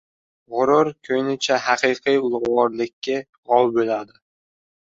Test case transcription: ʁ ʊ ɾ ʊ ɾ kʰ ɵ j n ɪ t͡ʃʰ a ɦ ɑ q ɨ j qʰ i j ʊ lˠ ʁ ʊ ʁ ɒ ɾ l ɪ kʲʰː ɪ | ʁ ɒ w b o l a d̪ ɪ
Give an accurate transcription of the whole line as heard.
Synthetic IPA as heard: ʁ ʊ ɾ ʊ ɾ kʰ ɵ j n ɪ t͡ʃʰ a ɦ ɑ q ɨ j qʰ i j ʊ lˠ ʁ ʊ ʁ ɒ ɾ l ɪ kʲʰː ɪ | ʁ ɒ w b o l a d̪ ɪ